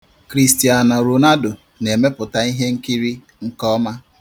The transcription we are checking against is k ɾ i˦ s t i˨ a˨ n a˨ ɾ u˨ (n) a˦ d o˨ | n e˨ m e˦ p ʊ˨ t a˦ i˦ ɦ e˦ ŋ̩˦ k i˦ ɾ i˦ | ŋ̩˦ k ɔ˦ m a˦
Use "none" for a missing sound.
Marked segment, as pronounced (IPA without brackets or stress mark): n